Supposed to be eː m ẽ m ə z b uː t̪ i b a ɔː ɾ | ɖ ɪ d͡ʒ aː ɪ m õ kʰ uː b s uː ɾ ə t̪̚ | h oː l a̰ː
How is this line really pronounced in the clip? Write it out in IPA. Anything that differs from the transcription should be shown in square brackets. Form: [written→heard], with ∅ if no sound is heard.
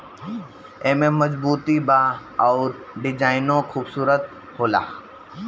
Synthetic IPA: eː m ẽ m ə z b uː t̪ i b a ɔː ɾ | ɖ ɪ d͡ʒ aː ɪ [m→n] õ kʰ uː b s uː ɾ ə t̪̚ | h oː l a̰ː

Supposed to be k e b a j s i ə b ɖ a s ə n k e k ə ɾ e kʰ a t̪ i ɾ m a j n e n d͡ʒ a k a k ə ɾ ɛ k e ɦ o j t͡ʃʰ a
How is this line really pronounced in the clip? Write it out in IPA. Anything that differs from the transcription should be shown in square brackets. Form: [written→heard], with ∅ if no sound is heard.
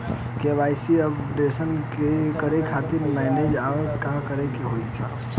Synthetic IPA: k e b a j s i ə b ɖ [a→e] s ə n k e k ə ɾ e kʰ a t̪ i ɾ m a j n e [n→∅] d͡ʒ a k a k ə ɾ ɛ k e ɦ o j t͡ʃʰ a

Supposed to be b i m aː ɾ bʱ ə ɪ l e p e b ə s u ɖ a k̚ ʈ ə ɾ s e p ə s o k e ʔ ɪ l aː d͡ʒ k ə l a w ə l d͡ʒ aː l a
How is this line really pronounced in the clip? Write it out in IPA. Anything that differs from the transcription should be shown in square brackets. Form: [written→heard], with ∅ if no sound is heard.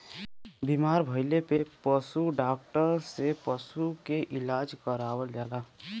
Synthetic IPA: b i m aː ɾ bʱ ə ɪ l e p e [b→p] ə s u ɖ a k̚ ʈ ə ɾ s e p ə s [o→u] k e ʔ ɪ l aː d͡ʒ k ə [l→ɾ] a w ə l d͡ʒ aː l a

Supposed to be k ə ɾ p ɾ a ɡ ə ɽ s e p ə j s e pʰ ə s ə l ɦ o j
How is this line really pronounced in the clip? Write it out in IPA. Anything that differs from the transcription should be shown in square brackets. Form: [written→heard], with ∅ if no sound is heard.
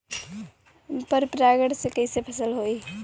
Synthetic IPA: [k→p] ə ɾ p ɾ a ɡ ə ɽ s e [p→k] ə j s e pʰ ə s ə l ɦ o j

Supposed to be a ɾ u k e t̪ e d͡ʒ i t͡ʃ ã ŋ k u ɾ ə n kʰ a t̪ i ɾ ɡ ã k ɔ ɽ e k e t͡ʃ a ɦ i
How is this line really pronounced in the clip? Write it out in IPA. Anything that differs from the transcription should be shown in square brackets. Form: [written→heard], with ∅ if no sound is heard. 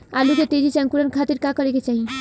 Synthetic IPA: a [ɾ→l] u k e t̪ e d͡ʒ i t͡ʃ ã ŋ k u ɾ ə n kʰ a t̪ i ɾ [ɡ→k] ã k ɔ [ɽ→ɾ] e k e t͡ʃ a ɦ i

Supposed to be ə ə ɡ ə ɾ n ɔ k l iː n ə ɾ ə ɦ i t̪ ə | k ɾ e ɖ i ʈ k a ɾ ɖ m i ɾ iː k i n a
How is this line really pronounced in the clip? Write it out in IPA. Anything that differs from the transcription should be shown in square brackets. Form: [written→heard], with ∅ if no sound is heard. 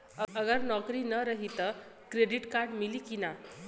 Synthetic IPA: ə ə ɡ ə ɾ n ɔ k [l→ɾ] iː n ə ɾ ə ɦ i t̪ ə | k ɾ e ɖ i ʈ k a ɾ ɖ m i [ɾ→l] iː k i n a

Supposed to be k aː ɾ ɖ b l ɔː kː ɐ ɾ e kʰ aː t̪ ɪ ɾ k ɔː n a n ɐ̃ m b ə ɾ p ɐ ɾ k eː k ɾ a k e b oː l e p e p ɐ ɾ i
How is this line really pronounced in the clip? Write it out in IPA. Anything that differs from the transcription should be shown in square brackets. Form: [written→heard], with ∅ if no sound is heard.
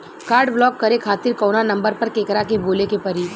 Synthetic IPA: k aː ɾ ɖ b l ɔː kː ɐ ɾ e kʰ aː t̪ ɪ ɾ k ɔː n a n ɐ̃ m b ə ɾ p ɐ ɾ k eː k ɾ a k e b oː l e [p→k] e p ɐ ɾ i

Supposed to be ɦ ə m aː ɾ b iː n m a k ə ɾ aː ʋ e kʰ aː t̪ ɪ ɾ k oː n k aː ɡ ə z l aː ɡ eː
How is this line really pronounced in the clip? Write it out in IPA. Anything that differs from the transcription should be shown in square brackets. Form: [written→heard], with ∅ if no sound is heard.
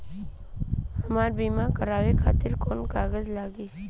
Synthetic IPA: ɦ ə m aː ɾ b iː [n→∅] m a k ə ɾ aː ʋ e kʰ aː t̪ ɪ ɾ k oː n k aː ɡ ə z l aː ɡ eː

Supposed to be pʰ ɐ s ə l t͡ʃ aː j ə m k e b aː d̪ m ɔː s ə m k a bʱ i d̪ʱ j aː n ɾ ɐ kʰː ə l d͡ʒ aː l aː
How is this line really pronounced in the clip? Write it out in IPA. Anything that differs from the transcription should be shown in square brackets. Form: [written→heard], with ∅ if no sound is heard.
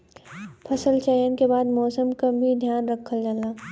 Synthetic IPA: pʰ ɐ s ə l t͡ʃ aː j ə [m→n] k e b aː d̪ m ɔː s ə m k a bʱ i d̪ʱ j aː n ɾ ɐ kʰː ə l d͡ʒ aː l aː

